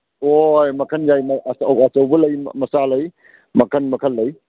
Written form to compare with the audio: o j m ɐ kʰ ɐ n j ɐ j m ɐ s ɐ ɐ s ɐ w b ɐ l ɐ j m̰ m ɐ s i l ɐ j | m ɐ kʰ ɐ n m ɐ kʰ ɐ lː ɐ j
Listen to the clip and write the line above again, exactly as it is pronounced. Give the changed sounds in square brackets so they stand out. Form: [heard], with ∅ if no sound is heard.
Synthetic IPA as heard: o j m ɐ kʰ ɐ n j [a] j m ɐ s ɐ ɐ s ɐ w b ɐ l ɐ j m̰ m ɐ s [a] l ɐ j | m ɐ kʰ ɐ n m ɐ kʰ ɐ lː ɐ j